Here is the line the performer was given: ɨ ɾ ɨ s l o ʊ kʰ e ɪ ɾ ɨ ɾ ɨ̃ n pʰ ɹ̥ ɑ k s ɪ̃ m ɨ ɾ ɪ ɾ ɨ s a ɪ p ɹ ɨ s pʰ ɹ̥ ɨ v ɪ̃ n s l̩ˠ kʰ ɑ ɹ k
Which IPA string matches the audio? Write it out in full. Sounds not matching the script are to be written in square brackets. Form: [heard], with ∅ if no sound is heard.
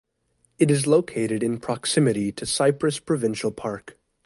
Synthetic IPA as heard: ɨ ɾ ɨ [z] l o ʊ kʰ e ɪ ɾ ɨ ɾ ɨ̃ n pʰ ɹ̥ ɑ k s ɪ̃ m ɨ ɾ [i] ɾ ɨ s a ɪ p ɹ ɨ s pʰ ɹ̥ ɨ v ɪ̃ n [ʃ] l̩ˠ [pʰ] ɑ ɹ k